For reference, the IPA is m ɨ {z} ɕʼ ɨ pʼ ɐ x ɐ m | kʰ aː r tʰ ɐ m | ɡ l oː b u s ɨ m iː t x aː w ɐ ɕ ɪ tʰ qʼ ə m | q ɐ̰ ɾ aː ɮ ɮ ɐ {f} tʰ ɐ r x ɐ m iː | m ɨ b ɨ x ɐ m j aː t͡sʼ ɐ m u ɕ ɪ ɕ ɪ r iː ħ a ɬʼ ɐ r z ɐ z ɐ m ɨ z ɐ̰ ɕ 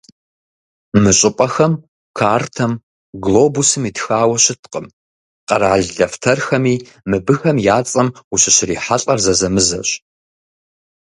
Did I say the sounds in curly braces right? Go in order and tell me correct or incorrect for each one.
incorrect, correct

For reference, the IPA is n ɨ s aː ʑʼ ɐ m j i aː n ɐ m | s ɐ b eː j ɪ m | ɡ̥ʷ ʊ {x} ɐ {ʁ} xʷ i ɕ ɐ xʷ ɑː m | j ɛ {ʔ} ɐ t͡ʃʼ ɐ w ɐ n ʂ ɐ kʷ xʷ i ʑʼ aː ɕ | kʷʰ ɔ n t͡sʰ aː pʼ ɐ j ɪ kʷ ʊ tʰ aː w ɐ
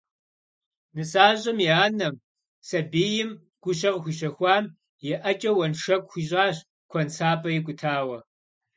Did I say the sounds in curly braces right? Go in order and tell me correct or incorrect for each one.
incorrect, correct, correct

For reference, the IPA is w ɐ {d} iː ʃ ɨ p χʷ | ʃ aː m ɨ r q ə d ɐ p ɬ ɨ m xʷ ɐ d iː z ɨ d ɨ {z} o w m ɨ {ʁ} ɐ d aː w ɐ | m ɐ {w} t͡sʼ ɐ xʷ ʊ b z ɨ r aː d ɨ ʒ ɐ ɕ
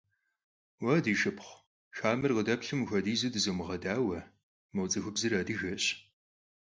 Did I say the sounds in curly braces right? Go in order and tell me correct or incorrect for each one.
correct, correct, correct, correct

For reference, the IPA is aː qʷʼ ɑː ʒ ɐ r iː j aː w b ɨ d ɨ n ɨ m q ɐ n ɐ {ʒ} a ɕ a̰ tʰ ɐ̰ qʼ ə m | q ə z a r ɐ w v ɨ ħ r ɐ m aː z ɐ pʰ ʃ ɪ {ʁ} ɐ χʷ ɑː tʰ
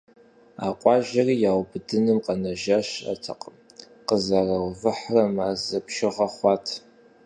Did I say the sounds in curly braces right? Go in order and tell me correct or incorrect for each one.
correct, correct

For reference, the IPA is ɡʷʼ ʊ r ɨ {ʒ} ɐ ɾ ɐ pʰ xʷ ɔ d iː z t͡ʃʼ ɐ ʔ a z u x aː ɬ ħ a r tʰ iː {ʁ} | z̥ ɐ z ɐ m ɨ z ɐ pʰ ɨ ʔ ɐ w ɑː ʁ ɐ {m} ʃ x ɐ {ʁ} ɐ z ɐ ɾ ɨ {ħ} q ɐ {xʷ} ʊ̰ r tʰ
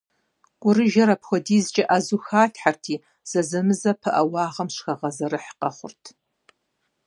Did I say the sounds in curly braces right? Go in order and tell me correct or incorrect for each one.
correct, incorrect, correct, correct, correct, incorrect

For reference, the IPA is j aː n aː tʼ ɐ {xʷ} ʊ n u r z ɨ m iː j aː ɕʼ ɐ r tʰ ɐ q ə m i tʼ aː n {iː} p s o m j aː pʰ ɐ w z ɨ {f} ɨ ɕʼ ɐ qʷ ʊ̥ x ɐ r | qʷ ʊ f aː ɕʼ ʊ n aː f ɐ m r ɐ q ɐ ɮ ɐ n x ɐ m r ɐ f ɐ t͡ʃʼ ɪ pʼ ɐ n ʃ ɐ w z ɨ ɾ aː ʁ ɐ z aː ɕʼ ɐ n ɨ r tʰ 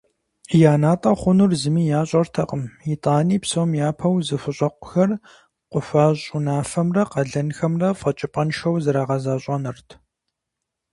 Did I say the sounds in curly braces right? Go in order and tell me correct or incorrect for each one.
incorrect, correct, correct

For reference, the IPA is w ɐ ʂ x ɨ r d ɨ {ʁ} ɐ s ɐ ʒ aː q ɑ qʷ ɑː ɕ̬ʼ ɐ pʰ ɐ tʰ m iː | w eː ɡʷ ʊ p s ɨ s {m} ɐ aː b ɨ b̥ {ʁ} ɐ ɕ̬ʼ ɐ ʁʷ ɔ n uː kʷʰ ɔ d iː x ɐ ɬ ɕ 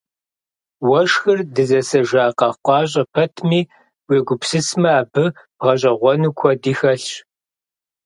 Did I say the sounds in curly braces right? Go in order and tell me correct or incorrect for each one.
incorrect, correct, correct

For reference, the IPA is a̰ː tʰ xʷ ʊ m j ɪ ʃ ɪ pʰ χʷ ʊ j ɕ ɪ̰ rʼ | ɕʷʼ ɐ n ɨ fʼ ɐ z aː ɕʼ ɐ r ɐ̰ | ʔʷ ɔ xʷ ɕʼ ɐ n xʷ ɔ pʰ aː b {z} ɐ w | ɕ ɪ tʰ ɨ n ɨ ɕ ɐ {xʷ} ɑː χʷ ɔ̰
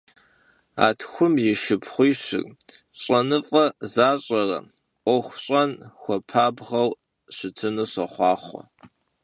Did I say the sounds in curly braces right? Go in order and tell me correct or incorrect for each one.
incorrect, incorrect

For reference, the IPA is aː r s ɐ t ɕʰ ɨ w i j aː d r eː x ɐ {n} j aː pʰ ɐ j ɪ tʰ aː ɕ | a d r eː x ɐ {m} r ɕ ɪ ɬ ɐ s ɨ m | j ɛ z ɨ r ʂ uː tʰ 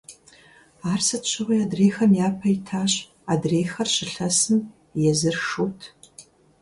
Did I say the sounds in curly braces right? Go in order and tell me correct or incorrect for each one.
incorrect, incorrect

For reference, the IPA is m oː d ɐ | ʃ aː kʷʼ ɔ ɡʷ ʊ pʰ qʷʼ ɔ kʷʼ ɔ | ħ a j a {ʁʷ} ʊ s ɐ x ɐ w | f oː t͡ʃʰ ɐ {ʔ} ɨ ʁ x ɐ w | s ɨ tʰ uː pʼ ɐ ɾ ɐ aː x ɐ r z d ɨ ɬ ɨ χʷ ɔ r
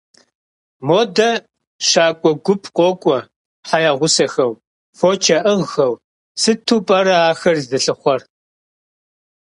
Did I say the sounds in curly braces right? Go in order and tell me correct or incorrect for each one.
correct, correct

